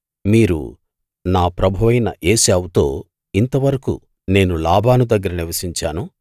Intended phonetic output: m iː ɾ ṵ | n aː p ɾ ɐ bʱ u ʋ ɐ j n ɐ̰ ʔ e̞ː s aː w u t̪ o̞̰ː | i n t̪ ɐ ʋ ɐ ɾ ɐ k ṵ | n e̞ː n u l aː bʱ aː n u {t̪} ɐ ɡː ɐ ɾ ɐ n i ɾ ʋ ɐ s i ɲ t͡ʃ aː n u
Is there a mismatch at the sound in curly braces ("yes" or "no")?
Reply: yes